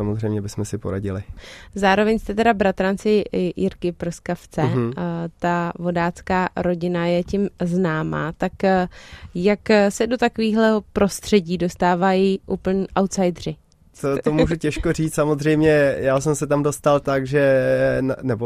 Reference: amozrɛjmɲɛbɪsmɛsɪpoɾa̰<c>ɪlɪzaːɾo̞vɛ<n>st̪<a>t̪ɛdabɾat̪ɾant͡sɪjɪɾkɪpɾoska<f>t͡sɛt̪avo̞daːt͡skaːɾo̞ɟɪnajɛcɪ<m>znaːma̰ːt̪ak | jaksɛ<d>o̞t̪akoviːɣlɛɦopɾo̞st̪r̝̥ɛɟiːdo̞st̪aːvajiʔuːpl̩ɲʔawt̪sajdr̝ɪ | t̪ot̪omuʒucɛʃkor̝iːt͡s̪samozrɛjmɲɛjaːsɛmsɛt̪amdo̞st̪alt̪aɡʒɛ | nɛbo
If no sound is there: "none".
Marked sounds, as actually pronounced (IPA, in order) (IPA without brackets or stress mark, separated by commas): ɟ, ɲ, ɛ, f, m, d